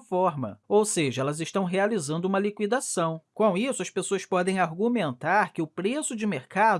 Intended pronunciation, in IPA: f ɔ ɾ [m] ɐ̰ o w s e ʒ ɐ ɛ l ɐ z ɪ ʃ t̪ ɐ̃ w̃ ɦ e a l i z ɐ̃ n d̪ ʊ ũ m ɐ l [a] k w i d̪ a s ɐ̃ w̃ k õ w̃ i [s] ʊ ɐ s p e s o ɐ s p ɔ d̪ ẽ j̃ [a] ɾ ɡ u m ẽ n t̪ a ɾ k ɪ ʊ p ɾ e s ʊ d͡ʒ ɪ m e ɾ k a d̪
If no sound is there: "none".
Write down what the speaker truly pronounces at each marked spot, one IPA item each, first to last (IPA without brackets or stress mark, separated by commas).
m, i, s, a